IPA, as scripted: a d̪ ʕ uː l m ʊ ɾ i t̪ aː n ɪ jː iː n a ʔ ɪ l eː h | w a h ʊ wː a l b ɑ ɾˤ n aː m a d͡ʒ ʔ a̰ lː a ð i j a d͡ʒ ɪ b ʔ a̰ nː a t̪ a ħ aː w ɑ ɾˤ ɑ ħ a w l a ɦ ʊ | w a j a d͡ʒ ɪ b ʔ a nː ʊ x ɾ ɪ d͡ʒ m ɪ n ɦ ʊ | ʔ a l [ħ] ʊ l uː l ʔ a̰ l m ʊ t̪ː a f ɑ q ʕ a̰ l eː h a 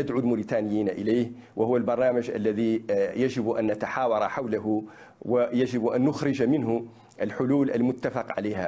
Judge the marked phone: correct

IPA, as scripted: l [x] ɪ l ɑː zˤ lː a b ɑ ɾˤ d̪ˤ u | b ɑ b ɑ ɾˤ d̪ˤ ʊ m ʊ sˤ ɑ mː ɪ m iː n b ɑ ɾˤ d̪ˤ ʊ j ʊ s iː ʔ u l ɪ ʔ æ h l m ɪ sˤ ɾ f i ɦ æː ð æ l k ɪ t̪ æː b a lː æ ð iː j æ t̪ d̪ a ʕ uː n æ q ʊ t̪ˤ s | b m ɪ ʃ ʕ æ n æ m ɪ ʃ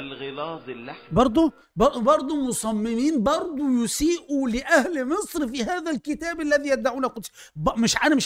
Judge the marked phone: incorrect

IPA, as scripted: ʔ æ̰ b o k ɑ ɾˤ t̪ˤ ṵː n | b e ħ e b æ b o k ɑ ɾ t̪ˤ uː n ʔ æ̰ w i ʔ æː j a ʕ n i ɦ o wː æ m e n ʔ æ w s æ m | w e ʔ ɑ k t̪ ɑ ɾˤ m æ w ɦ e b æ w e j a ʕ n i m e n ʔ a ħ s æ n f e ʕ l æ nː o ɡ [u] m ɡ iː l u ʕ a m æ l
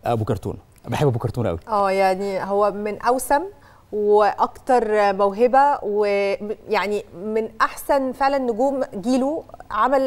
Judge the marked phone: incorrect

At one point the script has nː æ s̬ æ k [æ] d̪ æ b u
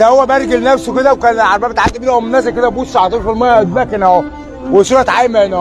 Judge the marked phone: incorrect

